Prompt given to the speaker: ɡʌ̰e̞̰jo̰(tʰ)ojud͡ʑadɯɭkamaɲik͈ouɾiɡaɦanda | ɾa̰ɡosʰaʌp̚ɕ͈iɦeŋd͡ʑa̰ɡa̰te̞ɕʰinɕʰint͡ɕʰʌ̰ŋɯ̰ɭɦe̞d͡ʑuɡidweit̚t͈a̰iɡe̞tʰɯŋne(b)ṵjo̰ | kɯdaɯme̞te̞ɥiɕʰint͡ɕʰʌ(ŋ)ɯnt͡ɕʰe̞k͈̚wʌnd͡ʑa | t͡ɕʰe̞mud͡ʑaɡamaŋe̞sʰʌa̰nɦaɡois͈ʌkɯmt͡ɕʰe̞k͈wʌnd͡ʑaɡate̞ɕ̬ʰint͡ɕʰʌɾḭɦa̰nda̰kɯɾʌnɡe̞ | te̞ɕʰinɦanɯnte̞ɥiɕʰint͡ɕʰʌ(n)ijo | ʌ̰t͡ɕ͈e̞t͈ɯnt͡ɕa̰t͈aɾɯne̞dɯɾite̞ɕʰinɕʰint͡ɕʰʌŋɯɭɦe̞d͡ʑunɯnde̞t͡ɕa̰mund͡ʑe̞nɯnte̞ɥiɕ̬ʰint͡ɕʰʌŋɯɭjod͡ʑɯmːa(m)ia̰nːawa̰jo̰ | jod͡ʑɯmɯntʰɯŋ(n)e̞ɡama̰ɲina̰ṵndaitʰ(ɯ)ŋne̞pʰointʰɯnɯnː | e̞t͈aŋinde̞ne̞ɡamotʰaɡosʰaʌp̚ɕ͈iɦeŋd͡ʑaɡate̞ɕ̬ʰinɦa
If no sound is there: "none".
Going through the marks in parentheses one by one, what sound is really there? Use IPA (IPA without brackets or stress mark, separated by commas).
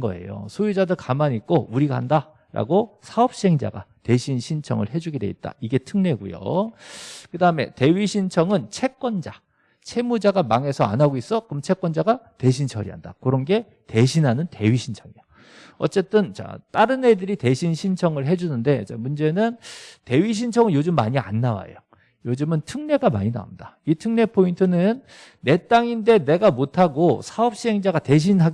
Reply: sʰ, ɡ, ŋ, ŋ, ɲ, n, ɯ